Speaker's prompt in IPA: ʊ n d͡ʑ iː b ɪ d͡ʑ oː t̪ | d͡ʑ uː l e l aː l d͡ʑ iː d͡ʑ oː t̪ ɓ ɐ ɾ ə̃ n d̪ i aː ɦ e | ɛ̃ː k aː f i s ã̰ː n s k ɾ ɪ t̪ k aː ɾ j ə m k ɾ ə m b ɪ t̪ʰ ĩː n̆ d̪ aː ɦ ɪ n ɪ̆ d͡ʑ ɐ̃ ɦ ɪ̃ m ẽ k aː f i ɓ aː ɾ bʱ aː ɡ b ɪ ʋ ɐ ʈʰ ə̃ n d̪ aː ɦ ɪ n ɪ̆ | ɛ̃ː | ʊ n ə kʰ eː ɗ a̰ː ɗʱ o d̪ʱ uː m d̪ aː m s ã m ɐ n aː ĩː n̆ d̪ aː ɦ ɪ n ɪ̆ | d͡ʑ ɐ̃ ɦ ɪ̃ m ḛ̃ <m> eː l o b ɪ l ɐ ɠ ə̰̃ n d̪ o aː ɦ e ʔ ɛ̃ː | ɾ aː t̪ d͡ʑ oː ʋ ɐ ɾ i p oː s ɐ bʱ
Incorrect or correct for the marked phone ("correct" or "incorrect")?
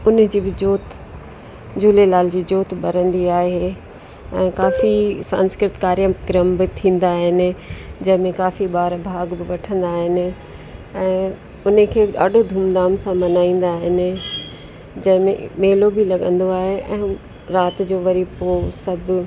correct